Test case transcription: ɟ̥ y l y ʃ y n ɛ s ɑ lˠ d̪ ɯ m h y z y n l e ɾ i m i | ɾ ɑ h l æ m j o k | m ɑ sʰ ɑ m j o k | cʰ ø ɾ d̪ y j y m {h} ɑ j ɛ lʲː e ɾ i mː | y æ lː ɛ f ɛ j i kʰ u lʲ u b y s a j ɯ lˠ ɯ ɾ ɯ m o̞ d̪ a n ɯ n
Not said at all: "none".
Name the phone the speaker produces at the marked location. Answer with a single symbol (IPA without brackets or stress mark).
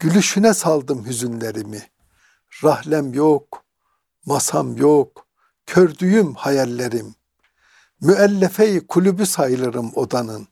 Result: h